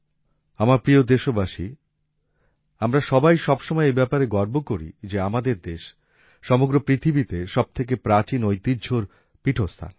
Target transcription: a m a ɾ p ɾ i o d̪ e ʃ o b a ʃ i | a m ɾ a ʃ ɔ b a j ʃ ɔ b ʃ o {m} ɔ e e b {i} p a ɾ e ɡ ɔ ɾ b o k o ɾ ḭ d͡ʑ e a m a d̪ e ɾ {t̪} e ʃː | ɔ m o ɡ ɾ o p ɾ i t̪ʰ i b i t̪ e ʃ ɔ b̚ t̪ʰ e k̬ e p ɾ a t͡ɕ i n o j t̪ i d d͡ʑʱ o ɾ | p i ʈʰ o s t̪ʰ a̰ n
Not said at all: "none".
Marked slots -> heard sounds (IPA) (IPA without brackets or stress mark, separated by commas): m, ɛ, d̪